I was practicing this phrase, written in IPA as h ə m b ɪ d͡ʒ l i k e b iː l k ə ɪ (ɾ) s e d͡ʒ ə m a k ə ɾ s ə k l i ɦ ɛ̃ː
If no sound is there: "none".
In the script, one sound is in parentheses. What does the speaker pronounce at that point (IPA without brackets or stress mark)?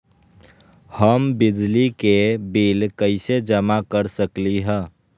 none